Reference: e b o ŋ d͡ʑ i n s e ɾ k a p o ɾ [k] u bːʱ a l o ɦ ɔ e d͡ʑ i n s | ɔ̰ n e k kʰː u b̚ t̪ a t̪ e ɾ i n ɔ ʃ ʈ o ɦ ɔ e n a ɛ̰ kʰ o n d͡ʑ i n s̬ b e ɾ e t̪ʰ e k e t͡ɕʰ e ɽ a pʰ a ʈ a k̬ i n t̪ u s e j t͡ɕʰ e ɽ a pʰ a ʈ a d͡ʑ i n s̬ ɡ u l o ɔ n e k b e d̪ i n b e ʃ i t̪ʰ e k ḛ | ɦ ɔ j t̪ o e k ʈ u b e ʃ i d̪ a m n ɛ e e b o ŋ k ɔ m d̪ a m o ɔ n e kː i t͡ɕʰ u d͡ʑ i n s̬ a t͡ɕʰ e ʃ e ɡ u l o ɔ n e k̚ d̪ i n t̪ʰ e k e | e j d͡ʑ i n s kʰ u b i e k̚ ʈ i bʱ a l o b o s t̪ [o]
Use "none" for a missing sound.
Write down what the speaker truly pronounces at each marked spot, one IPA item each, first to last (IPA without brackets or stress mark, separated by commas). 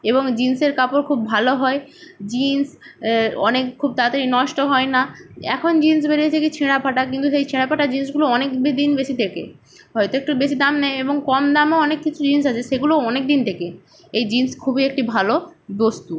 kʰ, u